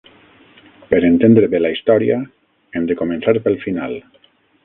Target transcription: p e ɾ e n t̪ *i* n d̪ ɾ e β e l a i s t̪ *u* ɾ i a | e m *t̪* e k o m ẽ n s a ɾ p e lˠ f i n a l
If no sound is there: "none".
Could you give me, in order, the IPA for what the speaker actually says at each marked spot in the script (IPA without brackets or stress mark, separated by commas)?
e, ɔ, d̪